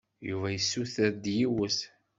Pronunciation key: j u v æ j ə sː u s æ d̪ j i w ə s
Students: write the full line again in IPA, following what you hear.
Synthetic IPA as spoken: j u v æ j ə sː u θ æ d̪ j i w ə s